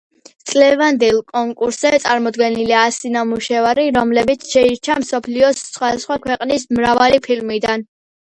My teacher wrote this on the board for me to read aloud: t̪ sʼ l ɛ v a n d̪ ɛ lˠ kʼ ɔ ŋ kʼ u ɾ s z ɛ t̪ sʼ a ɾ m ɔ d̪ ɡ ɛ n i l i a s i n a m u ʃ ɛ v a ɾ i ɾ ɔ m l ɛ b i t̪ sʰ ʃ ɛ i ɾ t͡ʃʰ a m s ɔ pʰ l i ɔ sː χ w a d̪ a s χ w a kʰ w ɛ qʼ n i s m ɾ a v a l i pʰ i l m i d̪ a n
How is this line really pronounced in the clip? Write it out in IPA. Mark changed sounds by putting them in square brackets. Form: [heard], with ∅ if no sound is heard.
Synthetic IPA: t̪ sʼ l ɛ v a n d̪ ɛ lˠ kʼ ɔ ŋ kʼ u ɾ s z ɛ t̪ sʼ a ɾ m ɔ d̪ ɡ ɛ n i l i a s i n a m u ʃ ɛ v a ɾ i ɾ ɔ m l ɛ b i t̪ sʰ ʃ ɛ i ɾ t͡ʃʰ a m s ɔ pʰ l i ɔ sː χ w a d̪ a s χ w a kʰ w ɛ qʼ n i s m ɾ a v a l i pʰ i l m i d̪ a n